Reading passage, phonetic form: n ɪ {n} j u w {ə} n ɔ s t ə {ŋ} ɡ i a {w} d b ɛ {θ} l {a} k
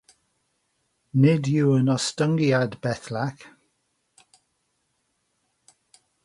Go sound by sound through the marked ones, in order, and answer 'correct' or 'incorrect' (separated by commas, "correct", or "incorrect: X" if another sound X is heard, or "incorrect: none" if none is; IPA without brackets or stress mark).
incorrect: d, correct, correct, incorrect: none, correct, correct